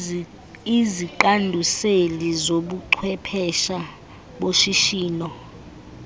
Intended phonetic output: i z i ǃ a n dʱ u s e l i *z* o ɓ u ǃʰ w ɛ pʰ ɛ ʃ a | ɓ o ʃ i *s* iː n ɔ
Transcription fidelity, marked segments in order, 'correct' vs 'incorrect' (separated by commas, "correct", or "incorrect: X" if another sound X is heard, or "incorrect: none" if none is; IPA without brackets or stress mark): correct, incorrect: ʃ